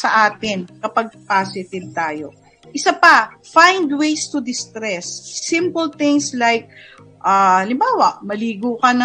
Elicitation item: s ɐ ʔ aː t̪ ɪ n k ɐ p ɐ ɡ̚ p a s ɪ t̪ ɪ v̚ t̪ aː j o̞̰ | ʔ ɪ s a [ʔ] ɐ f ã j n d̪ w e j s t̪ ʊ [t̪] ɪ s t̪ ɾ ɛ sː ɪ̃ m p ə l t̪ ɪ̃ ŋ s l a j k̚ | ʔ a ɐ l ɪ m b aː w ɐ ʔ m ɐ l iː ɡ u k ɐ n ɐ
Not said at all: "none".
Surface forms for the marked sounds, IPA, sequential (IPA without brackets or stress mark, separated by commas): p, d̪